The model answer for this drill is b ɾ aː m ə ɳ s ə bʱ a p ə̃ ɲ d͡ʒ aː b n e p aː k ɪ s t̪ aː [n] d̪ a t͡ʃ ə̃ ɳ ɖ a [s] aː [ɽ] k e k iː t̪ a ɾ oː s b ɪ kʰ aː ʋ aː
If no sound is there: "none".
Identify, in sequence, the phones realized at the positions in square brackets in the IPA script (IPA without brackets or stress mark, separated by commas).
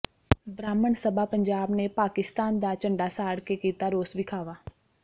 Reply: n, s, ɽ